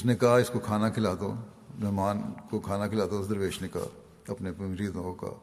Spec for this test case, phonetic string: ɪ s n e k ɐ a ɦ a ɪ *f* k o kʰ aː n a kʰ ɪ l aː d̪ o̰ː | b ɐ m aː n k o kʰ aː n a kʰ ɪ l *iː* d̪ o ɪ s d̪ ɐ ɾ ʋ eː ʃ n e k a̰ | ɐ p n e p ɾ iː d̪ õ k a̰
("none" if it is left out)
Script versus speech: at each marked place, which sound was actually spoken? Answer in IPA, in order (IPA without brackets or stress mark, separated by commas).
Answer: s, aː